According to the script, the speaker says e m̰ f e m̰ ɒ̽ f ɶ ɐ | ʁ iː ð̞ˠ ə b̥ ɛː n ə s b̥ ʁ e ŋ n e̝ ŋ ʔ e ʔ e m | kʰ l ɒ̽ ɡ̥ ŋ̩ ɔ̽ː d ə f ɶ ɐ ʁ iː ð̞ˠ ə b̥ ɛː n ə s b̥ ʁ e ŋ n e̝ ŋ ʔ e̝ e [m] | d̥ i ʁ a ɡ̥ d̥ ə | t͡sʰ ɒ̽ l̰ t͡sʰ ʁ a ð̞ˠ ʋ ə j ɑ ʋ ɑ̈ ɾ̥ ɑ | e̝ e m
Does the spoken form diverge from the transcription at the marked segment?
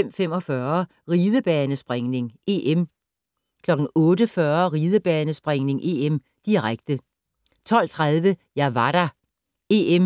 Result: no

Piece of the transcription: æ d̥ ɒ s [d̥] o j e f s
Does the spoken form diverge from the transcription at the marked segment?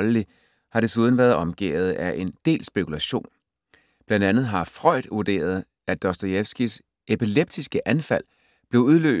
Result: no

